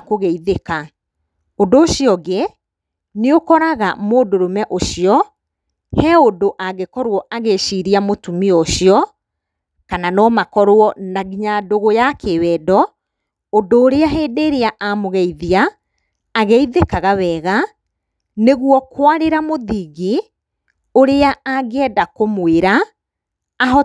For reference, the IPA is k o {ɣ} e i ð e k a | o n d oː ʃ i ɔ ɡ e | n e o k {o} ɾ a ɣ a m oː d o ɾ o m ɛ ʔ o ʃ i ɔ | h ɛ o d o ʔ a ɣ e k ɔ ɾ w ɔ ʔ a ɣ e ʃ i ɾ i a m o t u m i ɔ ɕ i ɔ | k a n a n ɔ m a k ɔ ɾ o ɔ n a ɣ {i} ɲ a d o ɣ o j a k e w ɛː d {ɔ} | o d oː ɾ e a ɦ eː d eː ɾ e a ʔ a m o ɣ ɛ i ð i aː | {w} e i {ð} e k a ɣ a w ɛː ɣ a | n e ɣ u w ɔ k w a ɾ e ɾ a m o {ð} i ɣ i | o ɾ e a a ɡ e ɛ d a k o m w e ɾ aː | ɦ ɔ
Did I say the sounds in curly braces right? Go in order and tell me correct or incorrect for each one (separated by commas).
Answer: correct, incorrect, correct, correct, incorrect, correct, correct